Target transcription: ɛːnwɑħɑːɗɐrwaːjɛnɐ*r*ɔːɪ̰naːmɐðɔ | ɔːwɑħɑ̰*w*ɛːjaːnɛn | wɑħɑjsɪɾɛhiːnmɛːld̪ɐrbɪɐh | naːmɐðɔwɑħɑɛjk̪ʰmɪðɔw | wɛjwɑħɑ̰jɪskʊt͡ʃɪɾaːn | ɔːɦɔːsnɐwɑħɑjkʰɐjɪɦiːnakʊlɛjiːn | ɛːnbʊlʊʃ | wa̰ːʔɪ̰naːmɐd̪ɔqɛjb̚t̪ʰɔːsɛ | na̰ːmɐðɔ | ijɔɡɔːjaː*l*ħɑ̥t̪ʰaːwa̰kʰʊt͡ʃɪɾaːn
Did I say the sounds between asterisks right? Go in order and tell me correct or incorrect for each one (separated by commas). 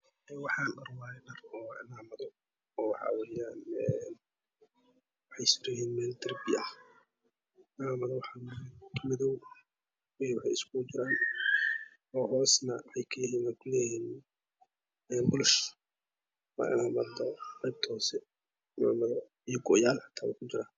correct, correct, correct